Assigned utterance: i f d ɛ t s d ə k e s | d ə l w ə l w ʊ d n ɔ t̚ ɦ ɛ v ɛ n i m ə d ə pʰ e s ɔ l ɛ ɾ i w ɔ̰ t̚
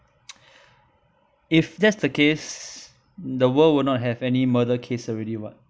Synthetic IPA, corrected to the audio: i f d ɛ t s d ə k e s | d ə w ə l w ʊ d n ɔ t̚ ɦ ɛ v ɛ n i m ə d ə kʰ e s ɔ ɹ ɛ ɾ i w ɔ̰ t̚